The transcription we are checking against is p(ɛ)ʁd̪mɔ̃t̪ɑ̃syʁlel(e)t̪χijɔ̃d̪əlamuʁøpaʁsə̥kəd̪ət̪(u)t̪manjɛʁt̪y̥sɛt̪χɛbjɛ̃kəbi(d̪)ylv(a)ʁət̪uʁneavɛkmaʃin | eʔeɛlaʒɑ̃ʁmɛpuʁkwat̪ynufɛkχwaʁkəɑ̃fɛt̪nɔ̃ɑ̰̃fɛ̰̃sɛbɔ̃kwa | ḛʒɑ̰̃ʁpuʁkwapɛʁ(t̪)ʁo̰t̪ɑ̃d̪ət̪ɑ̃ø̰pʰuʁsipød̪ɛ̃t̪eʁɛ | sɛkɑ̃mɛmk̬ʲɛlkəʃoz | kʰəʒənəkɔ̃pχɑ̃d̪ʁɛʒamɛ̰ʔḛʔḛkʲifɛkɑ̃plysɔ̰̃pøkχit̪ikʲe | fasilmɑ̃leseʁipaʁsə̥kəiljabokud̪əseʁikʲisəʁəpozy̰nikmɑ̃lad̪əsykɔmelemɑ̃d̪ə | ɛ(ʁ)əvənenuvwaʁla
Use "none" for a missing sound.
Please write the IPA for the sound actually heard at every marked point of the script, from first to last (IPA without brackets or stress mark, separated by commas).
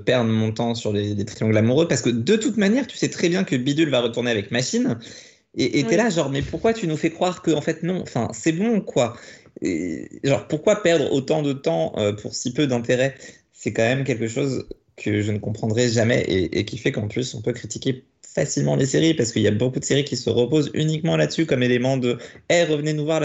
ɛ, e, u, d̪, a, d̪, ʁ